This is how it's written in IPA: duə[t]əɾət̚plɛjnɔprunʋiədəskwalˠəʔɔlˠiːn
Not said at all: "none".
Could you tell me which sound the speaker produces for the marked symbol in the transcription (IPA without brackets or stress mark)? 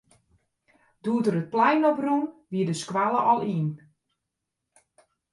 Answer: t